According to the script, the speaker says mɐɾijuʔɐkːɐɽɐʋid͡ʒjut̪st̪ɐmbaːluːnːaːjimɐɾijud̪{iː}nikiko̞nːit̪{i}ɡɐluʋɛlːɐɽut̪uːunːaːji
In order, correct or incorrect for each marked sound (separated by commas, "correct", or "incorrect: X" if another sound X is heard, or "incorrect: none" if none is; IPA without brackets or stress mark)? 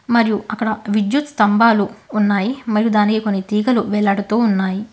incorrect: aː, incorrect: iː